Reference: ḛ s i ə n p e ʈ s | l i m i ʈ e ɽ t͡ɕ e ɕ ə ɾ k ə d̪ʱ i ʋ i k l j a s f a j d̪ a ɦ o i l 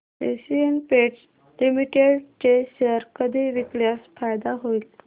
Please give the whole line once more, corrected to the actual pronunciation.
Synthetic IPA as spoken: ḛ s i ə n p e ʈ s | l i m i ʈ e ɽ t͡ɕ e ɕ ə ɾ k ə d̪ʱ i ʋ i k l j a s f a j d̪ a ɦ o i l